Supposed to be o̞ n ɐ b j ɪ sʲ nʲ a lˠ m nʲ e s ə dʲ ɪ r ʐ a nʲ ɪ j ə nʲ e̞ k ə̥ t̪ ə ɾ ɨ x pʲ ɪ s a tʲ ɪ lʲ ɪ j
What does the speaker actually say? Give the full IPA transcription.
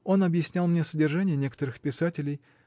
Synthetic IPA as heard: o̞ n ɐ b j ɪ sʲ nʲ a lˠ m nʲ e s ə dʲ ɪ r ʐ a nʲ ɪ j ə nʲ e̞ k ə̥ t̪ ə ɾ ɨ x pʲ ɪ s a tʲ ɪ lʲ ɪ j